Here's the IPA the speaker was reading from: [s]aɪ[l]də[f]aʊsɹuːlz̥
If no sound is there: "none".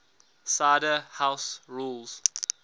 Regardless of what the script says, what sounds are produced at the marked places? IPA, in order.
s, none, h

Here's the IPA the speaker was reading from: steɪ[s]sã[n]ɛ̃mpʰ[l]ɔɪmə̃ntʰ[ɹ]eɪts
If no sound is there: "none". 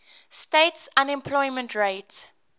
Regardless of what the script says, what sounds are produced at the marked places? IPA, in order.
t, n, l, ɹ

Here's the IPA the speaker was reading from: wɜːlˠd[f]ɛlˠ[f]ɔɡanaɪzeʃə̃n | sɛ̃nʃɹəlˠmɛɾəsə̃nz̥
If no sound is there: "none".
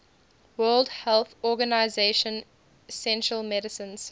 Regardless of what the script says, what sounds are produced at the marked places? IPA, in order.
h, θ

